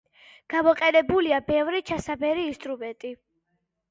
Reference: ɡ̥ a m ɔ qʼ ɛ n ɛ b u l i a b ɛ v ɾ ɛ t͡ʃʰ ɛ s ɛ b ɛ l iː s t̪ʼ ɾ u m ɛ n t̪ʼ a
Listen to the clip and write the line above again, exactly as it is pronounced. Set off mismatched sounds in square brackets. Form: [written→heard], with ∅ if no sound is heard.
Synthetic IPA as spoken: ɡ̥ a m ɔ qʼ ɛ n ɛ b u l i a b ɛ v ɾ [ɛ→i] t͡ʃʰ [ɛ→a] s [ɛ→a] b ɛ [l→ɾ] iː s t̪ʼ ɾ u m ɛ n t̪ʼ [a→i]